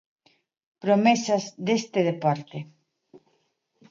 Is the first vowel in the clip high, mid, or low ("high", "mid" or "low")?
mid